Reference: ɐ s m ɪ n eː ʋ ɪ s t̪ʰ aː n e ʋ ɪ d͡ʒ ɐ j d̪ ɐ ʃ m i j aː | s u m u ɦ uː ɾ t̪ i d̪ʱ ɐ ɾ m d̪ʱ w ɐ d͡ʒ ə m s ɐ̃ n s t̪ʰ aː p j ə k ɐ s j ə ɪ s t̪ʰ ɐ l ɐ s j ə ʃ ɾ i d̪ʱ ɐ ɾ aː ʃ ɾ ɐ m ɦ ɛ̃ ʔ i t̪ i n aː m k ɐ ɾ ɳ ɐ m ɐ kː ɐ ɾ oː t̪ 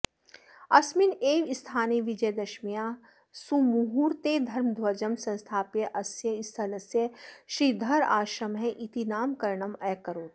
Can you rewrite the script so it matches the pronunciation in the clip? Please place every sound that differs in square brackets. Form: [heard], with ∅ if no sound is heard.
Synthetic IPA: ɐ s m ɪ n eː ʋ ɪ s t̪ʰ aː n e ʋ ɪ d͡ʒ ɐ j d̪ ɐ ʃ m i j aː | s u m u ɦ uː ɾ t̪ [e] d̪ʱ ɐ ɾ m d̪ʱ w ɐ d͡ʒ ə m s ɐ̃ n s t̪ʰ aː p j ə [ʔ] ɐ s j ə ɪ s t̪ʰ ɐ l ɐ s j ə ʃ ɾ i d̪ʱ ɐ ɾ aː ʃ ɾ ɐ m ɦ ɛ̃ ʔ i t̪ i n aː m k ɐ ɾ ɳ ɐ m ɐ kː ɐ ɾ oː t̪

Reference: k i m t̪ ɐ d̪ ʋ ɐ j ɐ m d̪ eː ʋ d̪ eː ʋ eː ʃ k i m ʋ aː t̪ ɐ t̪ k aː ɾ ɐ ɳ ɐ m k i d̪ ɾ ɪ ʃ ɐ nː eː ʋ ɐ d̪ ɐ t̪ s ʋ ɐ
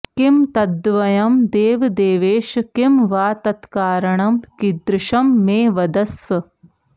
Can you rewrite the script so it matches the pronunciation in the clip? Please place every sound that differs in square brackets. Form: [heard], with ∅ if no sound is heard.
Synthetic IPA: k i m t̪ ɐ d̪ ʋ ɐ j ɐ m d̪ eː ʋ d̪ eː ʋ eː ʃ k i m ʋ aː t̪ ɐ t̪ k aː ɾ ɐ ɳ ɐ m k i d̪ ɾ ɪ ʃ ɐ [mː] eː ʋ ɐ d̪ ɐ [∅] s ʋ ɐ

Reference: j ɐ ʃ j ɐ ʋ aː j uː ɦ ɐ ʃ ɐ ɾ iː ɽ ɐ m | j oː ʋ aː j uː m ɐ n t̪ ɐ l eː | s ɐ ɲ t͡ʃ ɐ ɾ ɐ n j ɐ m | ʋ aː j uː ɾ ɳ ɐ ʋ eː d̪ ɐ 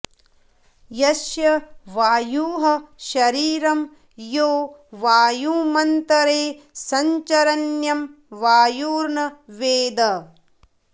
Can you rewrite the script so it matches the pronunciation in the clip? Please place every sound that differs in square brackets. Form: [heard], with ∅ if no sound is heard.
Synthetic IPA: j ɐ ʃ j ɐ ʋ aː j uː ɦ ɐ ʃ ɐ ɾ iː [ɾ] ɐ m | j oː ʋ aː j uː m ɐ n t̪ ɐ [ɾ] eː | s ɐ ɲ t͡ʃ ɐ ɾ ɐ n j ɐ m | ʋ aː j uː ɾ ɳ ɐ ʋ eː d̪ ɐ

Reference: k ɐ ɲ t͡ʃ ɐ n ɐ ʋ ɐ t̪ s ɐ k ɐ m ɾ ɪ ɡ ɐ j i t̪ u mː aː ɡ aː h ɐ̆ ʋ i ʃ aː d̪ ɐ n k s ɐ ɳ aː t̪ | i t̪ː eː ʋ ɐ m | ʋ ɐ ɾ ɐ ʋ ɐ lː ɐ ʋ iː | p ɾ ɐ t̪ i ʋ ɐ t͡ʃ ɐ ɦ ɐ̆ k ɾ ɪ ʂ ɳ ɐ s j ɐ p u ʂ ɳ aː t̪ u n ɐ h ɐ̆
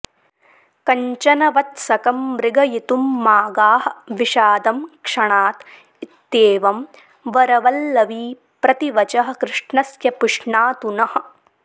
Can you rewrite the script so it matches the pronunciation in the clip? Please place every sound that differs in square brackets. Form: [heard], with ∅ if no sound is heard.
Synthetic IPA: k ɐ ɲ t͡ʃ ɐ n ɐ ʋ ɐ t̪ s ɐ k ɐ m ɾ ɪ ɡ ɐ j i t̪ u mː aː ɡ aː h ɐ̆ ʋ i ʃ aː d̪ ɐ [m] k [ʂ] ɐ ɳ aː t̪ | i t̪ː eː ʋ ɐ m | ʋ ɐ ɾ ɐ ʋ ɐ lː ɐ ʋ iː | p ɾ ɐ t̪ i ʋ ɐ t͡ʃ ɐ ɦ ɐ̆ k ɾ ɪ ʂ ɳ ɐ s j ɐ p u ʂ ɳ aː t̪ u n ɐ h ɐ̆

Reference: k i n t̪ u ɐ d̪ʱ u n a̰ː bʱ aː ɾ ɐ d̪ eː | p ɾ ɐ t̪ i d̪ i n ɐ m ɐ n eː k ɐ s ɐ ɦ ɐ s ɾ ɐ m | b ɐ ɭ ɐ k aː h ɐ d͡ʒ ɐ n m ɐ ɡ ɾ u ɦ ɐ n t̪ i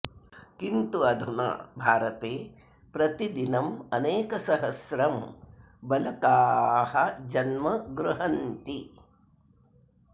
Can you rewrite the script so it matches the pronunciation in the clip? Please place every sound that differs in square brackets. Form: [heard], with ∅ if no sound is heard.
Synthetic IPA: k i n t̪ u ɐ d̪ʱ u n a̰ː bʱ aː ɾ ɐ [t̪] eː | p ɾ ɐ t̪ i d̪ i n ɐ m ɐ n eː k ɐ s ɐ ɦ ɐ s ɾ ɐ m | b ɐ [l] ɐ k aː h ɐ d͡ʒ ɐ n m ɐ ɡ ɾ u ɦ ɐ n t̪ i

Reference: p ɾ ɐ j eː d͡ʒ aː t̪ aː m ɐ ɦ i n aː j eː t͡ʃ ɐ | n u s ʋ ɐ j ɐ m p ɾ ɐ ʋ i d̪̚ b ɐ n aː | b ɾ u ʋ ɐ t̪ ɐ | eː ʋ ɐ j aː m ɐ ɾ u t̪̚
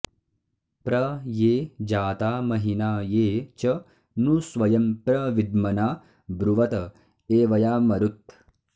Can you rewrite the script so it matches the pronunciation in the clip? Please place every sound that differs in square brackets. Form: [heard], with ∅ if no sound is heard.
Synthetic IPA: p ɾ ɐ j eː d͡ʒ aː t̪ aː m ɐ ɦ i n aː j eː t͡ʃ ɐ | n u s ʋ ɐ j ɐ m p ɾ ɐ ʋ i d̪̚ [m] ɐ n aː | b ɾ u ʋ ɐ t̪ ɐ | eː ʋ ɐ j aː m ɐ ɾ u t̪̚

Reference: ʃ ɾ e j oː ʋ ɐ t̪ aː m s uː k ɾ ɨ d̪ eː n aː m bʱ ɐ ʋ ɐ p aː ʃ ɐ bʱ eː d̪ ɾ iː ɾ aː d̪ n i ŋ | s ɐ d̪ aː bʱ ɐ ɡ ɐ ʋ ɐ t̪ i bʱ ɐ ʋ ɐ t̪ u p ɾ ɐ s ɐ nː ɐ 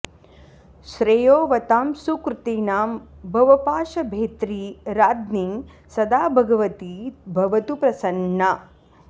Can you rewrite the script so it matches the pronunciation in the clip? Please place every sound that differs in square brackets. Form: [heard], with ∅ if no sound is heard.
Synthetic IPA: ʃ ɾ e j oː ʋ ɐ t̪ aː m s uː k ɾ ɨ [t̪] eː n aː m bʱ ɐ ʋ ɐ p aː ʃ ɐ bʱ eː [t̪] ɾ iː ɾ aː d̪ n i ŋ | s ɐ d̪ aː bʱ ɐ ɡ ɐ ʋ ɐ t̪ i bʱ ɐ ʋ ɐ t̪ u p ɾ ɐ s ɐ nː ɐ

